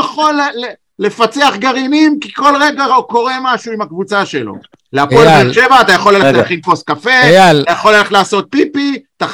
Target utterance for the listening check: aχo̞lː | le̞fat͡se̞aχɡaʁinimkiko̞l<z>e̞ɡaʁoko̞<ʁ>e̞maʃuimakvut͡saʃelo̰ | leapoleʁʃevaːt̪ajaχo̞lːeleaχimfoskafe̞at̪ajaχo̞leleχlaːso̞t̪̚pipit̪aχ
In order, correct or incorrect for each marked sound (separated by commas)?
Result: incorrect, correct